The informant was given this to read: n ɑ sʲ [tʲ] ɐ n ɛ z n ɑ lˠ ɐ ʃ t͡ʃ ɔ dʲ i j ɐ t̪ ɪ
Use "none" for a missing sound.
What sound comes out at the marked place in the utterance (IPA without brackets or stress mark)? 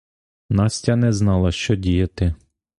tʲ